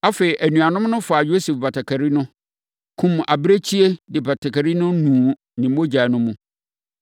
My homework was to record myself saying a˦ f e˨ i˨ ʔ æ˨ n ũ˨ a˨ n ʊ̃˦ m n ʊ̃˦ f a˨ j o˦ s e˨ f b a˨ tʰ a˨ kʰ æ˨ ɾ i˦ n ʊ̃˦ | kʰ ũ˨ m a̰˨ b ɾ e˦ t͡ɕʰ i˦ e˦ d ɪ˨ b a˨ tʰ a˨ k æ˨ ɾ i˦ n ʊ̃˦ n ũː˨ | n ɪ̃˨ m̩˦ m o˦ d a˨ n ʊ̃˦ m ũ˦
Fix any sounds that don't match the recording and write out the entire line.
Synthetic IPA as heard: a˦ f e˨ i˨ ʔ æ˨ n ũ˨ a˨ n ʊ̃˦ m n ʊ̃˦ f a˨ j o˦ s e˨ f b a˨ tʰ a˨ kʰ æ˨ ɾ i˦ n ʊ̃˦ | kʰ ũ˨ m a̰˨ b ɾ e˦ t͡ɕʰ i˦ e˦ d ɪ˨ b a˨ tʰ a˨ k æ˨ ɾ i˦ n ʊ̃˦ n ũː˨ | n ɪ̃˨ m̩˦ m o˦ d͡ʑ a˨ n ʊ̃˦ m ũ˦